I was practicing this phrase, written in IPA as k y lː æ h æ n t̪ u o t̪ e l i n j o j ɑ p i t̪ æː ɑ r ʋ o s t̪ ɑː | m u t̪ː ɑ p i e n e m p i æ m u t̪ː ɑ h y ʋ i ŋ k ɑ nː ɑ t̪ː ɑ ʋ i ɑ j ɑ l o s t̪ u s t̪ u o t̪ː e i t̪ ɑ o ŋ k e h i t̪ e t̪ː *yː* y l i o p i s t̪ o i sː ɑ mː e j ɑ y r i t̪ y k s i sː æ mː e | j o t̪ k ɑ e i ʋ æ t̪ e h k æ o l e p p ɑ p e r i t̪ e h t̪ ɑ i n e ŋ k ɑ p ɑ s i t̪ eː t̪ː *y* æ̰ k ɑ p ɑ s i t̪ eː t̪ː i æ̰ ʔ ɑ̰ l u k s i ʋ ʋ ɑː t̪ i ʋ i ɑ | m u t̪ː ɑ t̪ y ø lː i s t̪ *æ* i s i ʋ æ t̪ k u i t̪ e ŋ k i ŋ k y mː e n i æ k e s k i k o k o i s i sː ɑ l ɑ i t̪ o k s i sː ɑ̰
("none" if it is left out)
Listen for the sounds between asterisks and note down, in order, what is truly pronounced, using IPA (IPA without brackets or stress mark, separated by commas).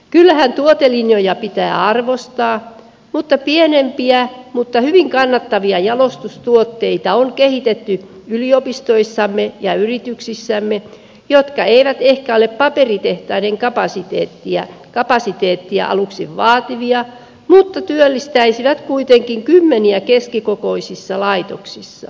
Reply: y, i, æ